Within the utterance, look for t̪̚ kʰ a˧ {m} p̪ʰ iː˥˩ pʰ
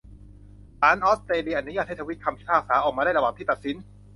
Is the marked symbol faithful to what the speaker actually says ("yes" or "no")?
yes